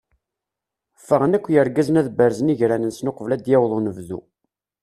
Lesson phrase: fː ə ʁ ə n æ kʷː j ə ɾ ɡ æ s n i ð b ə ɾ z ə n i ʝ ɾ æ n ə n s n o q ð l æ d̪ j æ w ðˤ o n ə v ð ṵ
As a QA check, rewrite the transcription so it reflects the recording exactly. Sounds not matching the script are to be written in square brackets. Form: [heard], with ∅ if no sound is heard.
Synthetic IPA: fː ə ʁ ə n æ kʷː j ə ɾ ɡ æ [z] n [æ] ð b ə ɾ z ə n i ʝ ɾ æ n ə n s n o q [v] l æ d̪ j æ w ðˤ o n ə v ð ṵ